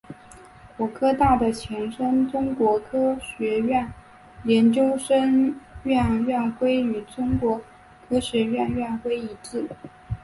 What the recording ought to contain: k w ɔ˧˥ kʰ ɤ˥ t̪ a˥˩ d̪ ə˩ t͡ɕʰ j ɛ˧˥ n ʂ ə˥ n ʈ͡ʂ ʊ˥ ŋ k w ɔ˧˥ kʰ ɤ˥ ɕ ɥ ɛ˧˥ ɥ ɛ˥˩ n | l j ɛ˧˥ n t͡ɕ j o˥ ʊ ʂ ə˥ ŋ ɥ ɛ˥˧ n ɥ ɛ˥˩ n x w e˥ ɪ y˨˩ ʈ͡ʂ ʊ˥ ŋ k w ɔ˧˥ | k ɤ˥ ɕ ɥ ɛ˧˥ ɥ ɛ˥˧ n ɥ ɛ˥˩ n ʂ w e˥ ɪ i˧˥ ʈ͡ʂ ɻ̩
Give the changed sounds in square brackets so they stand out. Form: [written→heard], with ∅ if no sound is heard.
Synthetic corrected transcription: k w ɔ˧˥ kʰ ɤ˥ t̪ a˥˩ d̪ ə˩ t͡ɕʰ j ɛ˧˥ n ʂ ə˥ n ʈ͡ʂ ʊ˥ ŋ k w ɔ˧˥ kʰ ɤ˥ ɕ ɥ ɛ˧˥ ɥ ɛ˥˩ n | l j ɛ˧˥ n t͡ɕ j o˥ ʊ ʂ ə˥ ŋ ɥ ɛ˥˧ n ɥ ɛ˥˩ n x w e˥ ɪ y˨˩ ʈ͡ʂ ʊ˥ ŋ k w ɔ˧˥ | [k→kʰ] ɤ˥ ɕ ɥ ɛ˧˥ ɥ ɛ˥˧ n ɥ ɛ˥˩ n [ʂ→x] w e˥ ɪ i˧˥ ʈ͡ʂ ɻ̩

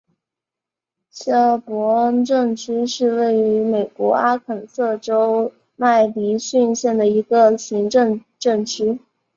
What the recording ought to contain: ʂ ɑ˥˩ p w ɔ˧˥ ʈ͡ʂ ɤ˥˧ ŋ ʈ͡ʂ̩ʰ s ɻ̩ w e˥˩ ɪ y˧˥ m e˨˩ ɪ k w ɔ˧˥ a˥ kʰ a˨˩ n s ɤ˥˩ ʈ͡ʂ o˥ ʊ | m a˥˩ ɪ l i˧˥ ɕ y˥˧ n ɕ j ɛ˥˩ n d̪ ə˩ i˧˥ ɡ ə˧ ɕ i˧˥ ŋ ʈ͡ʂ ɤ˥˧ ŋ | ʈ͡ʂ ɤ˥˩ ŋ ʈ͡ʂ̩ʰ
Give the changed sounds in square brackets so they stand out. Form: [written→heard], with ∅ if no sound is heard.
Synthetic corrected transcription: [ʂ→ɕ] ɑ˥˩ p w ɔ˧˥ ʈ͡ʂ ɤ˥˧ ŋ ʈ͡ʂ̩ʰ [s→ʂ] ɻ̩ w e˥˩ ɪ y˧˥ m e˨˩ ɪ k w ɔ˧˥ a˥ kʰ [a˨˩→ə˨˩] n s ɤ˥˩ ʈ͡ʂ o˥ ʊ | m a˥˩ ɪ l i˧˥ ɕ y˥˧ n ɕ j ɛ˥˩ n d̪ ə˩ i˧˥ ɡ ə˧ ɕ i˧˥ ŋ ʈ͡ʂ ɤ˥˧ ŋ | ʈ͡ʂ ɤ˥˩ ŋ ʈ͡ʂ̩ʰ

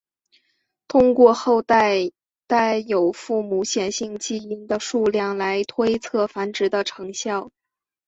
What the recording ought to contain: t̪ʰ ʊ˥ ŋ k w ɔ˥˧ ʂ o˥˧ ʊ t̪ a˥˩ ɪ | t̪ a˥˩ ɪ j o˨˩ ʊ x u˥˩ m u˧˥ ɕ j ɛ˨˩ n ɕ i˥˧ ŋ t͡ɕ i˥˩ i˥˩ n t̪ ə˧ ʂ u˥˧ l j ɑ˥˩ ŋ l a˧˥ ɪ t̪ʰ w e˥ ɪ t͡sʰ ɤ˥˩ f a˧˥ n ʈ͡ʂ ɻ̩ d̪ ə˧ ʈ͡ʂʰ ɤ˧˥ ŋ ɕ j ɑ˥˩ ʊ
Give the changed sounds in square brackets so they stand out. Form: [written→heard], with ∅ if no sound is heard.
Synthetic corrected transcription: t̪ʰ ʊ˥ ŋ k w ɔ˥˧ [ʂ→x] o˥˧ ʊ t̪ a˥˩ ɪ | t̪ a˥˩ ɪ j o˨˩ ʊ [x→f] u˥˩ m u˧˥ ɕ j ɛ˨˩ n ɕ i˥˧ ŋ t͡ɕ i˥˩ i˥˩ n [t̪→d̪] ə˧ ʂ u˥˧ l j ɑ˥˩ ŋ l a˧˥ ɪ t̪ʰ w e˥ ɪ t͡sʰ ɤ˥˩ f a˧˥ n ʈ͡ʂ ɻ̩ d̪ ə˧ ʈ͡ʂʰ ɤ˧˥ ŋ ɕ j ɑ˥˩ ʊ

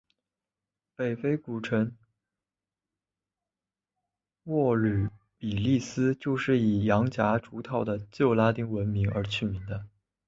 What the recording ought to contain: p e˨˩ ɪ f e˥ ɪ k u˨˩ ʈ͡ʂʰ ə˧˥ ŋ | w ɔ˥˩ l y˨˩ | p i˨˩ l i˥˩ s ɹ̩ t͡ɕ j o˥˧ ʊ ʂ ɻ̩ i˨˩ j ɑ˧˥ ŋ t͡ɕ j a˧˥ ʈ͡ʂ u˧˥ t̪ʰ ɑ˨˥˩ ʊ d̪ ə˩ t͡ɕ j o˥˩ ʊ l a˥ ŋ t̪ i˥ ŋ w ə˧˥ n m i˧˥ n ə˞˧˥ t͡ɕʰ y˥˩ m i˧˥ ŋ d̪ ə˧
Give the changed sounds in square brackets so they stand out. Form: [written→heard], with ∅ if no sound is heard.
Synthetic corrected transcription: p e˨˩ ɪ f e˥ ɪ k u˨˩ ʈ͡ʂʰ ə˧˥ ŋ | w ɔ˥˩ l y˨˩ | p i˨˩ l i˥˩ s ɹ̩ t͡ɕ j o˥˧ ʊ ʂ ɻ̩ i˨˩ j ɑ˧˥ ŋ t͡ɕ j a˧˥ ʈ͡ʂ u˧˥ t̪ʰ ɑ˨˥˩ ʊ d̪ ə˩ t͡ɕ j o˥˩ ʊ l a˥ [ŋ→∅] t̪ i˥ ŋ w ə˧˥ n m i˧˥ [n→ŋ] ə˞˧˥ t͡ɕʰ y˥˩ m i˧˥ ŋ d̪ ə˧

